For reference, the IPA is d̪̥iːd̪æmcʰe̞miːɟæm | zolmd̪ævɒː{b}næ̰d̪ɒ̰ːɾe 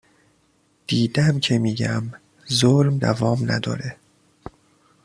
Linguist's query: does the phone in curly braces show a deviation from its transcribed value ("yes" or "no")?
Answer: yes